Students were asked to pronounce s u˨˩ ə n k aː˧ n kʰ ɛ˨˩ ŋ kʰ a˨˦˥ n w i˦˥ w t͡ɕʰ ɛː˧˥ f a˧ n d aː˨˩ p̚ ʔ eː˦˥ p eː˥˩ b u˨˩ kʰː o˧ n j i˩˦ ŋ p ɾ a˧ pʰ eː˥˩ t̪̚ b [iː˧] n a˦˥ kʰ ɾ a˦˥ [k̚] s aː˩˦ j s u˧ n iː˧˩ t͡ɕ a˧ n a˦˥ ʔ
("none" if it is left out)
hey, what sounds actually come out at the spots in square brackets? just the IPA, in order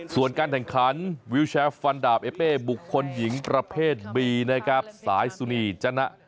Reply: iː˧, p̚

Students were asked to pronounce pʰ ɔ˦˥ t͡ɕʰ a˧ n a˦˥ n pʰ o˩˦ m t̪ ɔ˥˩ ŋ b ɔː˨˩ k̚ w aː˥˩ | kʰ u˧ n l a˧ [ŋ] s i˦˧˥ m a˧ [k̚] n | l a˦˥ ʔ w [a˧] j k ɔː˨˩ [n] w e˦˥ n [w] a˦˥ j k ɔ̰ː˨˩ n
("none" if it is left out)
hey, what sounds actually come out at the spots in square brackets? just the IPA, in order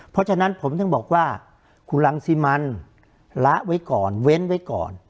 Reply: ŋ, none, a˦˥, n, w

